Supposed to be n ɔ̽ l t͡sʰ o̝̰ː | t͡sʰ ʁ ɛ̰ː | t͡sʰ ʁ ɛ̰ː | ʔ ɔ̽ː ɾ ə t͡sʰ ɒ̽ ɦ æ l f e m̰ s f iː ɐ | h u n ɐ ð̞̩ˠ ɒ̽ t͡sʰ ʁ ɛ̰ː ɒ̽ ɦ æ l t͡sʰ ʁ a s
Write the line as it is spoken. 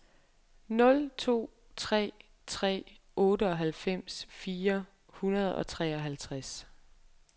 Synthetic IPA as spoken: n ɔ̽ l t͡sʰ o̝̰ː | t͡sʰ ʁ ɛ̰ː | t͡sʰ ʁ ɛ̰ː | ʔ ɔ̽ː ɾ ə ɒ̽ ɦ æ l f e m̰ s f iː ɐ | h u n ɐ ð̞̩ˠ ɒ̽ t͡sʰ ʁ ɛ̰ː ɒ̽ ɦ æ l t͡sʰ ʁ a s